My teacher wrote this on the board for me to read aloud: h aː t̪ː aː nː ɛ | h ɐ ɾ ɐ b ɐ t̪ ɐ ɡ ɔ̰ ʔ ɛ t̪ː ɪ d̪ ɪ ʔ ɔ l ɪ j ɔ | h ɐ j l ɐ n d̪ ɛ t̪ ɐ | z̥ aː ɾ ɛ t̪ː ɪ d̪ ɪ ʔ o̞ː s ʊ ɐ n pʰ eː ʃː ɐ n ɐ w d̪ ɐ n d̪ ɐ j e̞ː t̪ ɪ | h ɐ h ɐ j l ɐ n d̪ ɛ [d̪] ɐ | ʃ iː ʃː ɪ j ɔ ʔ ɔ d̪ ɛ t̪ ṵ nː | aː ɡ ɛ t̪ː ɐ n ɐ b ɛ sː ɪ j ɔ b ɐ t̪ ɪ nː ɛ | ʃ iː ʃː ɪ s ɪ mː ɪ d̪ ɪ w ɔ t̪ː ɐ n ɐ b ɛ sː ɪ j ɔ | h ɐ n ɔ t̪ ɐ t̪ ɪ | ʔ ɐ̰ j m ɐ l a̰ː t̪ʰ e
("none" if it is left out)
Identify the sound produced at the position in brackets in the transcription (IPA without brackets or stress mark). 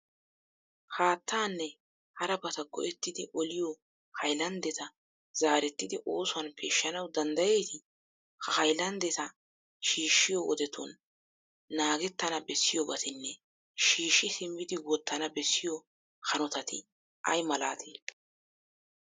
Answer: t̪